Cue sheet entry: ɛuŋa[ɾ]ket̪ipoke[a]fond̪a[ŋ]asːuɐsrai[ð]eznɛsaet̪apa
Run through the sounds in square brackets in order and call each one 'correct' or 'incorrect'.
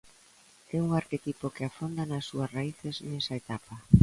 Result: correct, correct, incorrect, incorrect

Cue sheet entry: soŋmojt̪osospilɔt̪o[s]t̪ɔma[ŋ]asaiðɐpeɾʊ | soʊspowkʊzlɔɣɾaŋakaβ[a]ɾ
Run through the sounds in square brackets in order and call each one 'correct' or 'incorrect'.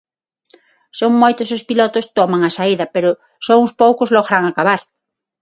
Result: correct, correct, correct

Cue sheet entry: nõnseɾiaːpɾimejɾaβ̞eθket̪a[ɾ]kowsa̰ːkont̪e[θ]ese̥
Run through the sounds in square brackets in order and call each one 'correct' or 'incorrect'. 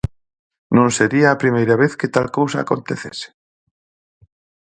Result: incorrect, correct

